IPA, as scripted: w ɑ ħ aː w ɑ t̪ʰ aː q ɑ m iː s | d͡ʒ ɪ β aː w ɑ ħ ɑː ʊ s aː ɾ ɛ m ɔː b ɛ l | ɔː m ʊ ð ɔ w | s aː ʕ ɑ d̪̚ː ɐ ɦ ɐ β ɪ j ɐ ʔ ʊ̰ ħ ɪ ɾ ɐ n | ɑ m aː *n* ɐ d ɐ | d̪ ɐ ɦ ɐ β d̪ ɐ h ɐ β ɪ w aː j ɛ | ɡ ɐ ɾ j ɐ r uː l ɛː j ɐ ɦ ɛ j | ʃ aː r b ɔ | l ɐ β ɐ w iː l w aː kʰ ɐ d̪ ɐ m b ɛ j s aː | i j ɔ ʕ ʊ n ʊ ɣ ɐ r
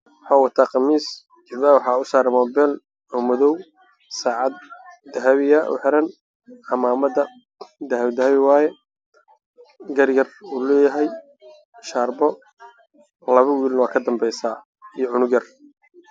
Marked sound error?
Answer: yes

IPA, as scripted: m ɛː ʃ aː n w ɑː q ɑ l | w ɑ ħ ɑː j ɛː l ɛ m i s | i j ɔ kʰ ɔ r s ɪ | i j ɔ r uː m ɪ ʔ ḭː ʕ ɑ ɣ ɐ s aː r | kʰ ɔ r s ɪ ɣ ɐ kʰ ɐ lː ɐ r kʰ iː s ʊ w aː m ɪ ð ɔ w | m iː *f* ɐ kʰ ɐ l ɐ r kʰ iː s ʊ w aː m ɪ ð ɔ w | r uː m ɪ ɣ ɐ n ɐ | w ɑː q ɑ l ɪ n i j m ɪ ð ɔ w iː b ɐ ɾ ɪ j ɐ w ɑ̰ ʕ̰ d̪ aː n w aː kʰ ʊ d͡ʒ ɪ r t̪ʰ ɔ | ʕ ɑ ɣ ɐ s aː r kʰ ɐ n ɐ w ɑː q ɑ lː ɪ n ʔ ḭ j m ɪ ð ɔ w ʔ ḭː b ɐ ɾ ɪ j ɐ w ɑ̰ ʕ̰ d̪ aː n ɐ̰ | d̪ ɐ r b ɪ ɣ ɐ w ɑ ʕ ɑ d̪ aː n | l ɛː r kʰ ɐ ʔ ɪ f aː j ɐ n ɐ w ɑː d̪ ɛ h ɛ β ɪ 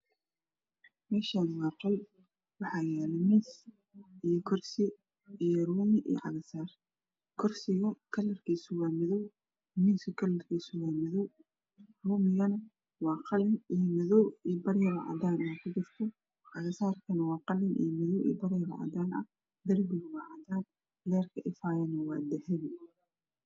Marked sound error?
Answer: yes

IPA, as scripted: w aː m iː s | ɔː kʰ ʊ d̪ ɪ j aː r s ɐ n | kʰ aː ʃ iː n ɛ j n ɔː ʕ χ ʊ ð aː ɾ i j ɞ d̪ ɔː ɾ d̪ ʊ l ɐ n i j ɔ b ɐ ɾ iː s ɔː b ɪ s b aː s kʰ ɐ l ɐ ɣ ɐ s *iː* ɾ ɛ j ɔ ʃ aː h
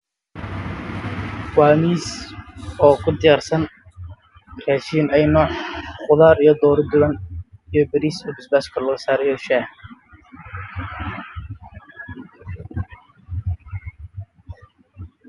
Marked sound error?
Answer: yes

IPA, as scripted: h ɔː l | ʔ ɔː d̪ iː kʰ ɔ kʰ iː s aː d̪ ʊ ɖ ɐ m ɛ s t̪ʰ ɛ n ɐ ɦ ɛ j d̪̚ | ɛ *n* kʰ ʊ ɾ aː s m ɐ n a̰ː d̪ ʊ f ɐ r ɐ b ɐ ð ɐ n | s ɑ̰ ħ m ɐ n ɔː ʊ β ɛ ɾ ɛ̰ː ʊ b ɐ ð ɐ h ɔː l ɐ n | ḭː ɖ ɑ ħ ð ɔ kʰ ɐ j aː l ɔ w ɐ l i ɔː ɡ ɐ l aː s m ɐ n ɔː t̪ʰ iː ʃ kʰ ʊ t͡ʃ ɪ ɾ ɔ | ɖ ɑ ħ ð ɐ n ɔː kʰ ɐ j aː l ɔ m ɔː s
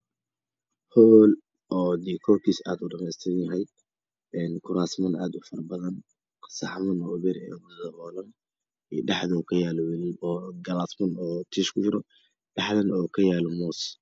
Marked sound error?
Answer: no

